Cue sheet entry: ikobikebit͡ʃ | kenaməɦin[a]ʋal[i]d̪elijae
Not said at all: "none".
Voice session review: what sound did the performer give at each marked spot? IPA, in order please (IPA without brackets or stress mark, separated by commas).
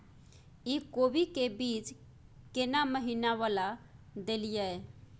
a, a